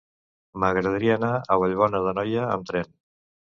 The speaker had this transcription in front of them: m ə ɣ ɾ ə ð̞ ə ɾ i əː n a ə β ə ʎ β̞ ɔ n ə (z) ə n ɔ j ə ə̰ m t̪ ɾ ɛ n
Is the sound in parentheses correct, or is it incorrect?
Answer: incorrect